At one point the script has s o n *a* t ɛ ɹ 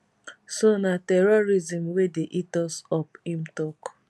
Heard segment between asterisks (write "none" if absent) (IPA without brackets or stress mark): a